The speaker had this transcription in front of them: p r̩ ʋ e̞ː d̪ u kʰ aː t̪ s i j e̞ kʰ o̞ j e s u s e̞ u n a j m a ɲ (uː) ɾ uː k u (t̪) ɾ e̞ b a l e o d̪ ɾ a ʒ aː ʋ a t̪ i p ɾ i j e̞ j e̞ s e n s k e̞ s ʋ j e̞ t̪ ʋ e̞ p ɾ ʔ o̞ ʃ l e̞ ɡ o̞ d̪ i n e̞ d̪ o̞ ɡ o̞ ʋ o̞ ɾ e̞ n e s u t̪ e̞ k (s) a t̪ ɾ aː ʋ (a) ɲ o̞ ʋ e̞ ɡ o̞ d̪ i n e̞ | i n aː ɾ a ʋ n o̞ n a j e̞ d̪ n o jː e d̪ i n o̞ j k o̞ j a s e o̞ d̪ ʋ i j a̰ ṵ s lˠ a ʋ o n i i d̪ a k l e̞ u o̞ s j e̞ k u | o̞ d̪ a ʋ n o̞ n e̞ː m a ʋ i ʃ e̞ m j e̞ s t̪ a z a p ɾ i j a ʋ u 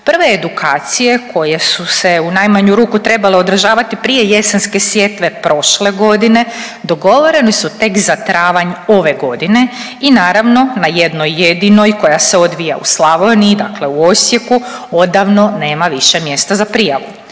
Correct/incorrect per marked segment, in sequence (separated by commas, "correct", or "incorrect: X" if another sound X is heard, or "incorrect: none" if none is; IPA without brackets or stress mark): incorrect: u, correct, incorrect: z, correct